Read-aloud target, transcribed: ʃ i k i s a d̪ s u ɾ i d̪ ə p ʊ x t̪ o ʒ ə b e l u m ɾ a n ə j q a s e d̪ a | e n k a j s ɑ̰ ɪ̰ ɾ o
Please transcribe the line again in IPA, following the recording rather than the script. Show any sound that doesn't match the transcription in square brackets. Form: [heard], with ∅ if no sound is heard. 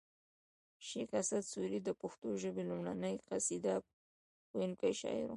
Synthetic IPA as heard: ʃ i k [a] s a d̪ s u ɾ i d̪ ə p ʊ x t̪ o ʒ ə b e l u m [ɽ] a n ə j q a s [i] d̪ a | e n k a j [ʃ] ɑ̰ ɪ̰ ɾ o